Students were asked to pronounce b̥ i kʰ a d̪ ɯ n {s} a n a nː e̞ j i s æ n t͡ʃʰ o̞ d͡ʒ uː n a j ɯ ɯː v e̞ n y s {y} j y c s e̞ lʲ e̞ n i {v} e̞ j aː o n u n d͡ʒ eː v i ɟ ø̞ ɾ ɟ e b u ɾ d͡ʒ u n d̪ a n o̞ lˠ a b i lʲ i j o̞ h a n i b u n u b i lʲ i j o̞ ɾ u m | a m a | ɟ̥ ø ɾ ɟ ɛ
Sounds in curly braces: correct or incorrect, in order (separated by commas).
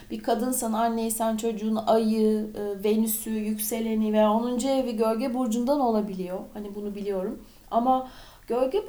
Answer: correct, correct, correct